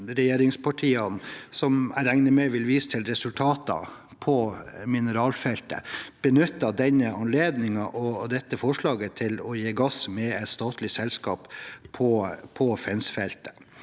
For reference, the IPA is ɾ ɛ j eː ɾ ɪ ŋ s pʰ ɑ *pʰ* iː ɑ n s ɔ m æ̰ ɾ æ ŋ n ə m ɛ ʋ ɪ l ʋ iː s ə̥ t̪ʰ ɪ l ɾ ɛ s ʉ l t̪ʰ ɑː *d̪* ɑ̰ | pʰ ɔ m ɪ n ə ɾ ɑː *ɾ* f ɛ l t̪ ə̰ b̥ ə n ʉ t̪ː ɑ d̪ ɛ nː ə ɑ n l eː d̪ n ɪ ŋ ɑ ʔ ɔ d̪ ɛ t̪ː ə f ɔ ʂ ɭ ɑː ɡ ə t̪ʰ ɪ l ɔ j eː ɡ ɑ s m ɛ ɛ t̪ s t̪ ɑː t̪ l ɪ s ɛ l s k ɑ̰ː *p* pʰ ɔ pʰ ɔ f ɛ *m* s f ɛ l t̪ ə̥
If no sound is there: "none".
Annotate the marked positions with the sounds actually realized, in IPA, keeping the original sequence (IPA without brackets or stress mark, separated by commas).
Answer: ʈʰ, t̪, l, p, n